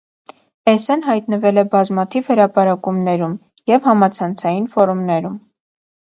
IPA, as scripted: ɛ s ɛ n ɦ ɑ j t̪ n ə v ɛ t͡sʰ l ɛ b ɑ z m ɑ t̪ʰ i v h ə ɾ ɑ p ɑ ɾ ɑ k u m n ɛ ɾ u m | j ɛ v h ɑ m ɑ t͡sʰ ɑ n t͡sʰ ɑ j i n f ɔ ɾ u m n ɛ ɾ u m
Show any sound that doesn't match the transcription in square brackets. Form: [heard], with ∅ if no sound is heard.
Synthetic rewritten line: ɛ s ɛ n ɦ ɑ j t̪ n ə v ɛ [∅] l ɛ b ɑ z m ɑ t̪ʰ i v h ə ɾ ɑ p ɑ ɾ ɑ k u m n ɛ ɾ u m | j ɛ v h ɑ m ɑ t͡sʰ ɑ n t͡sʰ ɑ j i n f ɔ ɾ u m n ɛ ɾ u m